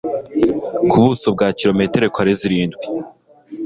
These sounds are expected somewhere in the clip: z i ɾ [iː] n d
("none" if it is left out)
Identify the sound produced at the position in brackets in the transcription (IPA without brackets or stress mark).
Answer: iː